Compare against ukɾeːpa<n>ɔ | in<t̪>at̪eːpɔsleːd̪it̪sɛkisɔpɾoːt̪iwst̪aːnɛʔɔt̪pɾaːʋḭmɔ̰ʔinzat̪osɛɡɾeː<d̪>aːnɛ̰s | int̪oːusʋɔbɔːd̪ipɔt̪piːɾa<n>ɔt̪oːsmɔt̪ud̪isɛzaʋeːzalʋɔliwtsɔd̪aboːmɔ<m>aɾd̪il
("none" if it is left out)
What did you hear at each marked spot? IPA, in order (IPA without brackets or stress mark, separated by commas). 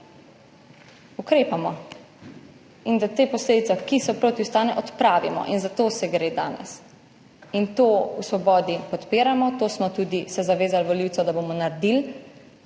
m, d̪, d̪, m, n